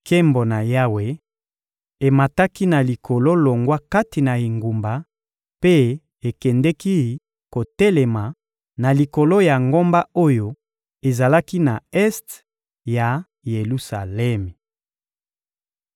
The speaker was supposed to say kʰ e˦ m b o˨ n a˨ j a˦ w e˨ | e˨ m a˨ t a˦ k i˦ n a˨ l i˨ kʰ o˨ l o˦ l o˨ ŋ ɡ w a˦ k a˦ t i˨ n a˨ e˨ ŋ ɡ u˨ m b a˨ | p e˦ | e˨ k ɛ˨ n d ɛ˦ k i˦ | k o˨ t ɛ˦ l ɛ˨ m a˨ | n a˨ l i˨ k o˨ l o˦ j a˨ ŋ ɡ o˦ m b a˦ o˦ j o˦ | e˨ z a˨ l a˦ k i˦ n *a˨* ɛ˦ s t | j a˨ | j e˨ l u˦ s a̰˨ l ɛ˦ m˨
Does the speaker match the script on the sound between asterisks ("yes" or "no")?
yes